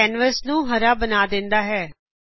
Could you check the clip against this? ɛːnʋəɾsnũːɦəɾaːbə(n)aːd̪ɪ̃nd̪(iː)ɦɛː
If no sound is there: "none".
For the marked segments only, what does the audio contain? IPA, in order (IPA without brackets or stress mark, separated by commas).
n, aː